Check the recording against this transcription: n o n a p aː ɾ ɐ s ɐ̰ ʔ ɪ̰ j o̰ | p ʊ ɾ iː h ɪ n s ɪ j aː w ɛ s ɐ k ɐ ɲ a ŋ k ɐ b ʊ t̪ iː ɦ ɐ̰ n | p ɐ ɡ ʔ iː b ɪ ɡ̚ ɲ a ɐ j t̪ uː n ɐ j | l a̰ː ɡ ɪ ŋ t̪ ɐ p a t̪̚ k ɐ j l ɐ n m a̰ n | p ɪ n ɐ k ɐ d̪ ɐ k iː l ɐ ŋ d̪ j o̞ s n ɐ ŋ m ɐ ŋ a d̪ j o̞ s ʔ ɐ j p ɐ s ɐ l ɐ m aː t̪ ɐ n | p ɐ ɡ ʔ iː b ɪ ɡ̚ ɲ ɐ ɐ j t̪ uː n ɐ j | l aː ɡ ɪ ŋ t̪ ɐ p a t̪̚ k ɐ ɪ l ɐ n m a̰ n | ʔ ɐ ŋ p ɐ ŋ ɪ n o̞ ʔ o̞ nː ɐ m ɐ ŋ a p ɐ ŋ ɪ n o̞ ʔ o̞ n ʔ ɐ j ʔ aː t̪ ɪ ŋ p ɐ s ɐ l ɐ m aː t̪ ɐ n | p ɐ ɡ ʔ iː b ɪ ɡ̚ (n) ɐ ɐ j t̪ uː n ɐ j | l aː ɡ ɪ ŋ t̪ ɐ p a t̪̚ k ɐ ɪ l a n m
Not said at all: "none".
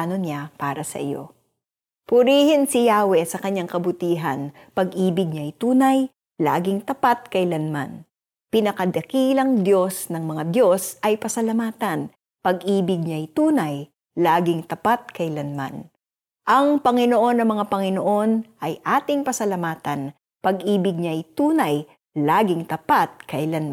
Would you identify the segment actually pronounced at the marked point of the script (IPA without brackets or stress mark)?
ɲ